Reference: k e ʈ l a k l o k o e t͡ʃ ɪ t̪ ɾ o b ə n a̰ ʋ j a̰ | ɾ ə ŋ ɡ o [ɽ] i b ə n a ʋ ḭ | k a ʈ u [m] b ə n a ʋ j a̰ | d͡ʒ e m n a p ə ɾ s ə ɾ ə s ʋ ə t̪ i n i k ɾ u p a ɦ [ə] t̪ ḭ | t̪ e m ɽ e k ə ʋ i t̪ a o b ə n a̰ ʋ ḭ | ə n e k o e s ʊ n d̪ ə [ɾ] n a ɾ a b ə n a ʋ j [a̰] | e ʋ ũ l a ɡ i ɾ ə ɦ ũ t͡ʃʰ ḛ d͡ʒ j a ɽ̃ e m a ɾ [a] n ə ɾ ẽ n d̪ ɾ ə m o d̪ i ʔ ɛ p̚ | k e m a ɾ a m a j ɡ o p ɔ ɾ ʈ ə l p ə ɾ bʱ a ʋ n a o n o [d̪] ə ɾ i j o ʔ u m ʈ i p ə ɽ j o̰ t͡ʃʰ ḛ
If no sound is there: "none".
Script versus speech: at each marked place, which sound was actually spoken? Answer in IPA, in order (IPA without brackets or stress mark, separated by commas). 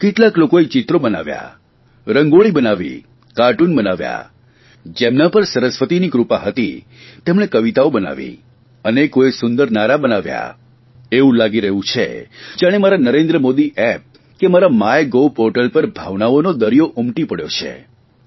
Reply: ɭ, n, ə, ɾ, a̰, a, d̪